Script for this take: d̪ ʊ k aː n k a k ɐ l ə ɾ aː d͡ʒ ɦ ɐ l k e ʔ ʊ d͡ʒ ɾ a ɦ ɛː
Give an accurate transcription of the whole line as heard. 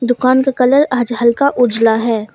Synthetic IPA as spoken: d̪ ʊ k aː n k a k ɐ l ə ɾ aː d͡ʒ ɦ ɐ l k a ʔ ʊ d͡ʒ l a ɦ ɛː